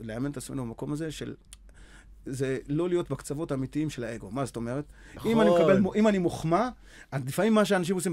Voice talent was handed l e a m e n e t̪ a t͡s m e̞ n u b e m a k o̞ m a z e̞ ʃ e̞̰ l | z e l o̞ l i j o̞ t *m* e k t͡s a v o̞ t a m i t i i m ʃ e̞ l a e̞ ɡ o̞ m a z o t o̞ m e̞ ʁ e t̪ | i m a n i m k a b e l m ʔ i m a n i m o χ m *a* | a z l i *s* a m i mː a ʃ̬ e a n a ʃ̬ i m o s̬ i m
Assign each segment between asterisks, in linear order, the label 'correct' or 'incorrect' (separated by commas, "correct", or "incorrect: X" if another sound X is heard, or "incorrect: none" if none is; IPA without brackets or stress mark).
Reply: incorrect: b, correct, incorrect: f